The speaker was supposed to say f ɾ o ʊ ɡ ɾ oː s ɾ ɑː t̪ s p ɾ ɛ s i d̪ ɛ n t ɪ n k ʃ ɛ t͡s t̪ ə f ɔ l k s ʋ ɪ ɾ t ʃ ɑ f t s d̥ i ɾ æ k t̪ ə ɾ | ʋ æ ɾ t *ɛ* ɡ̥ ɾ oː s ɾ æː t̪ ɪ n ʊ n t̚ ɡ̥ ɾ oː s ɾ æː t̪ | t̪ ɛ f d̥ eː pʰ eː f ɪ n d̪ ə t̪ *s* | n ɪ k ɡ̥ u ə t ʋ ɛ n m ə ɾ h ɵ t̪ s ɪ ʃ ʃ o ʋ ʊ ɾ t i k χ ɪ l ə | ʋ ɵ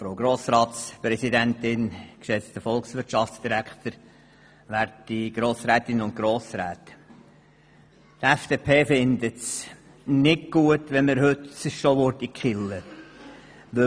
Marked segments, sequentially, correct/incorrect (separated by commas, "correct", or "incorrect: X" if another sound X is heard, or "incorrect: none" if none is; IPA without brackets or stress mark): incorrect: i, correct